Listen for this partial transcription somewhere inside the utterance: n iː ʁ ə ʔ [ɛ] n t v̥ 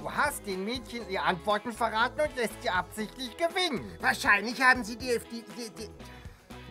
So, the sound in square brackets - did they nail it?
no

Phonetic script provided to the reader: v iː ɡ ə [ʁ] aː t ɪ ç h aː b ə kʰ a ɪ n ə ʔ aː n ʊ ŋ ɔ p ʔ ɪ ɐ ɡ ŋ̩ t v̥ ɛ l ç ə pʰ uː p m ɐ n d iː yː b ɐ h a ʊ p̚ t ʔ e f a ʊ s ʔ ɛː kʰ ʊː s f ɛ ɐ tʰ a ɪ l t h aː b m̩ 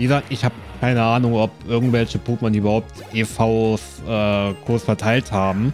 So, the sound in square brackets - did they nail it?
no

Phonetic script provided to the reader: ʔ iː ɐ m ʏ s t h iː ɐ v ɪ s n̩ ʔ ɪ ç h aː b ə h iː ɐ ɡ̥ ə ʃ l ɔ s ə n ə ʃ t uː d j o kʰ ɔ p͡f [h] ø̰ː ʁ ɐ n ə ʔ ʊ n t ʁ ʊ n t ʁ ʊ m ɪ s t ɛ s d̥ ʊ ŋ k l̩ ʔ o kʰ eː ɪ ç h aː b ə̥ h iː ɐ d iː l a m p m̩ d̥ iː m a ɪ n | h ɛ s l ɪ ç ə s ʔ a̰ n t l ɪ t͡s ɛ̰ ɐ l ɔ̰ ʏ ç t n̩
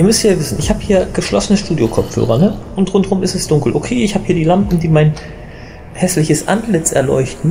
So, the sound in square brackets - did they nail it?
yes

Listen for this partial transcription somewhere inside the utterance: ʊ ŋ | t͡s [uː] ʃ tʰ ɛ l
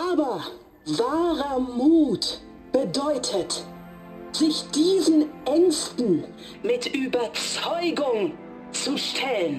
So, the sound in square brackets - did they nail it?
no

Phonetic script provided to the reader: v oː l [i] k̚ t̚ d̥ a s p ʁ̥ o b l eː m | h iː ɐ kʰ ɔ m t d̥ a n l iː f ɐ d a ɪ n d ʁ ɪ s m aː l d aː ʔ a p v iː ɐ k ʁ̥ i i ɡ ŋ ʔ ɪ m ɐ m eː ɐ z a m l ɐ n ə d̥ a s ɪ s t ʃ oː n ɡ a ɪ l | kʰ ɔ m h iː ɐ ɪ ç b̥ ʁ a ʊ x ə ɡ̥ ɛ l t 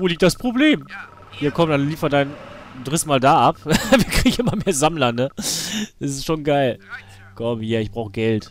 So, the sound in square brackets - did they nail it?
no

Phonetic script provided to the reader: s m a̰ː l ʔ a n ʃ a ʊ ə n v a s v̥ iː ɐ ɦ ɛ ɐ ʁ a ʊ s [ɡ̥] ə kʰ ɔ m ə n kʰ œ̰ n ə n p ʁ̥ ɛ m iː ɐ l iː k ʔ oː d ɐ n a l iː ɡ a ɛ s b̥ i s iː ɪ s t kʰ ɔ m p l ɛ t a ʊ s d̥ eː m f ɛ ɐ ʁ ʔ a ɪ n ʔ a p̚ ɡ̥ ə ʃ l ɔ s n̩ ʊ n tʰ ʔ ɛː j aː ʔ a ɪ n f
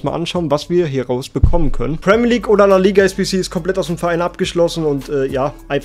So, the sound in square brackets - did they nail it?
no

